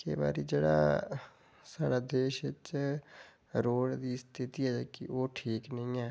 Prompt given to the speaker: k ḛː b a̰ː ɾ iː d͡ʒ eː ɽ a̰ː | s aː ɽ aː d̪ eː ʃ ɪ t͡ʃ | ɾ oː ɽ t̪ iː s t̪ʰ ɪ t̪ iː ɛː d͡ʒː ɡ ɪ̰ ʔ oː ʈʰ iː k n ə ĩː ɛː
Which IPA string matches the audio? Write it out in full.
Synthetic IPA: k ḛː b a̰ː ɾ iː d͡ʒ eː ɽ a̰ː | s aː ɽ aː d̪ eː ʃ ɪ t͡ʃ | ɾ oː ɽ d̪ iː s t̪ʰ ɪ t̪ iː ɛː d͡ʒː k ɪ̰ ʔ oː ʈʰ iː k n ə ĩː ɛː